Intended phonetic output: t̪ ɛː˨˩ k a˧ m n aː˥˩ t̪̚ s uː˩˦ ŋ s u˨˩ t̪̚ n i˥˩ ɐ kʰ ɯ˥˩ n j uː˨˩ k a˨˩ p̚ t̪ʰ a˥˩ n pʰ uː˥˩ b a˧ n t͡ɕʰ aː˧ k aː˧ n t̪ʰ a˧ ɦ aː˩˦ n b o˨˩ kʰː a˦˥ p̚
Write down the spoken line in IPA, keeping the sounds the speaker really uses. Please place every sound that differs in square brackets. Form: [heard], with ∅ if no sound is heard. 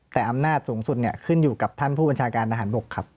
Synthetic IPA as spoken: t̪ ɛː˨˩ [ʔ] a˧ m n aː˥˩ t̪̚ s uː˩˦ ŋ s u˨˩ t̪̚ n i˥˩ ɐ kʰ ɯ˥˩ n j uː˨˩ k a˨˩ p̚ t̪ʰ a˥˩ n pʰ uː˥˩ b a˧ n t͡ɕʰ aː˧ k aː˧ n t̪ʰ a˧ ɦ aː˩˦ n b o˨˩ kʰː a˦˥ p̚